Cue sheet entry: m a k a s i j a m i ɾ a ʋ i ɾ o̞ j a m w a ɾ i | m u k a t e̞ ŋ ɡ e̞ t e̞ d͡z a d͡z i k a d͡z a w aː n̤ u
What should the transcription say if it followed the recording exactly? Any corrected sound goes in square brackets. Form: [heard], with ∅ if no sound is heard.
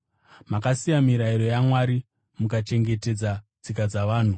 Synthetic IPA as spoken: m a k a s i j a m i ɾ a [∅] i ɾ o̞ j a m w a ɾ i | m u k a [t͡ʃ] e̞ ŋ ɡ e̞ t e̞ d͡z a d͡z i k a d͡z a [ʋ] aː n̤ u